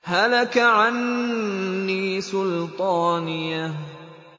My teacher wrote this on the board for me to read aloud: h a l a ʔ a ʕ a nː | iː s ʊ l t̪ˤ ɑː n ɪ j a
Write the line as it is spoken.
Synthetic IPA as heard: h a l a k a ʕ a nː | iː s ʊ l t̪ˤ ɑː n ɪ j a

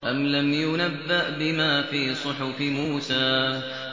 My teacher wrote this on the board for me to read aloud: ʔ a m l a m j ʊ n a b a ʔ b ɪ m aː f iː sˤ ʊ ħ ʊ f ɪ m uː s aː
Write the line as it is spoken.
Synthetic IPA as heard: ʔ a m l a m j ʊ n a bː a ʔ b ɪ m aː f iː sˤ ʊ ħ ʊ f ɪ m uː s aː

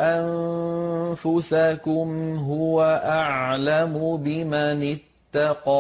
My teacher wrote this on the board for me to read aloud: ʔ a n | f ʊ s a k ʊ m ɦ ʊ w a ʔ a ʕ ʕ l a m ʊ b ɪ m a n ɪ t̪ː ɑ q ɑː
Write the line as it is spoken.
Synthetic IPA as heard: ʔ a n | f ʊ s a k ʊ m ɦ ʊ w a ʔ a ʕ ʕ l a m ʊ b ɪ m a n ɪ t̪ː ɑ q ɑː

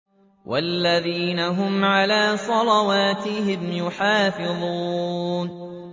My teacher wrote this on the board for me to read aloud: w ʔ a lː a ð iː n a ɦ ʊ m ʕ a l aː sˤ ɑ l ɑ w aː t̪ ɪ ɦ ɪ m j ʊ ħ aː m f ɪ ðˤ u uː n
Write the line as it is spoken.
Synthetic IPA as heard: w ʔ a lː a ð iː n a ɦ ʊ m ʕ a l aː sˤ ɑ l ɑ w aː t̪ ɪ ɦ ɪ m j ʊ ħ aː f ɪ ðˤ u uː n

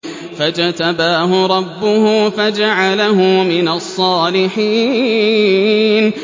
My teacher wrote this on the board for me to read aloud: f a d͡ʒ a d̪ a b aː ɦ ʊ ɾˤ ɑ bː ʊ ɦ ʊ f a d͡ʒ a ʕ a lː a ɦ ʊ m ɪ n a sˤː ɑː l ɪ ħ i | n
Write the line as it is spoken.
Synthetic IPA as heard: f a d͡ʒ a t̪ a b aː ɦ ʊ ɾˤ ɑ bː ʊ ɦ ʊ f a d͡ʒ a ʕ a l a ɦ ʊ m ɪ n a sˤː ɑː l ɪ ħ iː | n

